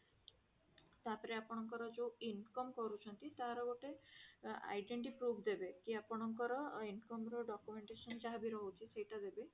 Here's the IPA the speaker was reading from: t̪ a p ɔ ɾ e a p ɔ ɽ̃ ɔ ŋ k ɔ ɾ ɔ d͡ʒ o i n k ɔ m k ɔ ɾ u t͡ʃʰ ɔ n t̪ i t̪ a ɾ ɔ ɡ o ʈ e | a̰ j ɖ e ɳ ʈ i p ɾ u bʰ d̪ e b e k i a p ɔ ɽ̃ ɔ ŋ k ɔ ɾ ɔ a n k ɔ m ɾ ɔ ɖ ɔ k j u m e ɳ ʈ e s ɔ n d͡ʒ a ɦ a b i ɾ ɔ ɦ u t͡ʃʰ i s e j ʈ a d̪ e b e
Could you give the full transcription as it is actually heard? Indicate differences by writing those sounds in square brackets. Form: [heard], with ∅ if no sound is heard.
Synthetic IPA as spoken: t̪ a p ɔ ɾ e a p ɔ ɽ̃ ɔ ŋ k ɔ ɾ ɔ d͡ʒ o i n k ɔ m k ɔ ɾ u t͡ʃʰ ɔ n t̪ i t̪ a ɾ ɔ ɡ o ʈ e | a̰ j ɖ e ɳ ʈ i p ɾ u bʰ d̪ e b e k i a p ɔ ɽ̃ ɔ ŋ k ɔ ɾ ɔ [i] n k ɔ m ɾ ɔ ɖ ɔ k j u m e ɳ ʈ e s ɔ n d͡ʒ a ɦ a b i ɾ ɔ ɦ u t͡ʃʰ i s e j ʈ a d̪ e b e